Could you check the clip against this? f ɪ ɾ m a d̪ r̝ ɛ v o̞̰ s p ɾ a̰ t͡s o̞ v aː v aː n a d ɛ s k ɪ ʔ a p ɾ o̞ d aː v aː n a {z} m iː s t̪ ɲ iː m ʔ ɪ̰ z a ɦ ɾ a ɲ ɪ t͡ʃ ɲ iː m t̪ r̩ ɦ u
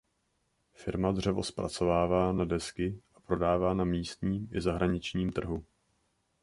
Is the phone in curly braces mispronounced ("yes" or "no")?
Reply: yes